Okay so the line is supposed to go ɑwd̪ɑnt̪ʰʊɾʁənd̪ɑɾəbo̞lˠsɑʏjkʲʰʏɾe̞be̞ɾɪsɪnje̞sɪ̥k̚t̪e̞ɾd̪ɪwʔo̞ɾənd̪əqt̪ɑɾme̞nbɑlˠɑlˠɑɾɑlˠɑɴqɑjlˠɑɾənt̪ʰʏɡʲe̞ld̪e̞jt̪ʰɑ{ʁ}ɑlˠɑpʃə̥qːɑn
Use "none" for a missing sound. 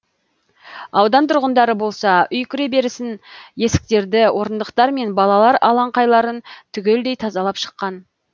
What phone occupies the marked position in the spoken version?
z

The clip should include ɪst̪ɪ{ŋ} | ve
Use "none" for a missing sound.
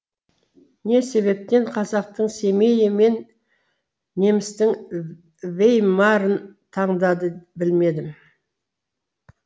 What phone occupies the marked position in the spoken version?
ŋ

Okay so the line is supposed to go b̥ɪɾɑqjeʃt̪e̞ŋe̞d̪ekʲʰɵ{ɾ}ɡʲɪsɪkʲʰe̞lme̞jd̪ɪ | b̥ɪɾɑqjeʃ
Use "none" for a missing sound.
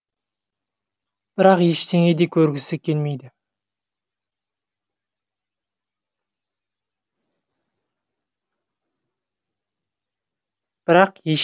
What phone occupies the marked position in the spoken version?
ɾ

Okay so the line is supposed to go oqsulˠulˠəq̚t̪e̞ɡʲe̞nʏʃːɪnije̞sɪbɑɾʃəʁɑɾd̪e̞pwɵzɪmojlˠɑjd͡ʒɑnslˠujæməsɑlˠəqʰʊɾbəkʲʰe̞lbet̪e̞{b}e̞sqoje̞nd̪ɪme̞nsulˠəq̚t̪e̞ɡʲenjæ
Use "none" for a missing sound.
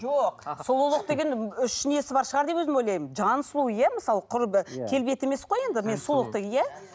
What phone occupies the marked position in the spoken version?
m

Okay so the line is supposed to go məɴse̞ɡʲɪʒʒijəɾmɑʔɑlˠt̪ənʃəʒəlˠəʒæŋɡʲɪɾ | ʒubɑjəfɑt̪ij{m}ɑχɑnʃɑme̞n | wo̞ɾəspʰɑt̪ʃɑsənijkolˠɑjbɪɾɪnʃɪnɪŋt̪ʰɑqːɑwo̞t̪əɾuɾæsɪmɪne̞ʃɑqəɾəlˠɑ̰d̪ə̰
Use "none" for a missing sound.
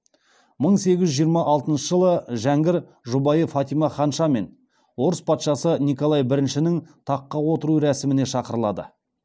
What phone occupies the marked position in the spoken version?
m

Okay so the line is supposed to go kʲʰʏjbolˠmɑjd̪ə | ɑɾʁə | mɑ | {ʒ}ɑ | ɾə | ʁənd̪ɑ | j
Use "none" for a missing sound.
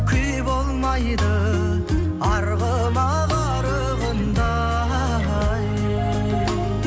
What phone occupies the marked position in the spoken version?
ʁ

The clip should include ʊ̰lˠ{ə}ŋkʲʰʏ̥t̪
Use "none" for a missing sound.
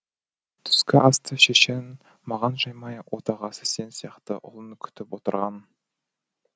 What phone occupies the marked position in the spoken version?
ə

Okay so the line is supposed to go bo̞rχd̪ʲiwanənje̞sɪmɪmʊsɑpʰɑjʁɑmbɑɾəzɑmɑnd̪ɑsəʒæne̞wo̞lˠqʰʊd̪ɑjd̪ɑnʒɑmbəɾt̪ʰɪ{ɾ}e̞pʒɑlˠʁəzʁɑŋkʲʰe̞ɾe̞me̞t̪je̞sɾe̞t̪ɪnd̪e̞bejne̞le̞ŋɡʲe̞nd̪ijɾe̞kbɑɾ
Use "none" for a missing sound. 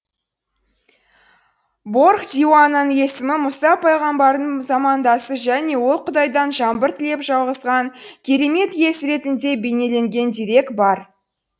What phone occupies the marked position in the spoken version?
l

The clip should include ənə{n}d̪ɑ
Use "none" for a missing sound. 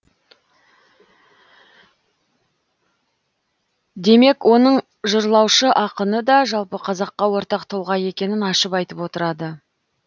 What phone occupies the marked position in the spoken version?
none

